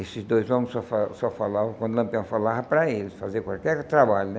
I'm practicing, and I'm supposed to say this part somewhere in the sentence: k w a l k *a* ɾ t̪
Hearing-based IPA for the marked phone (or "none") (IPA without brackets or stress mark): ɛ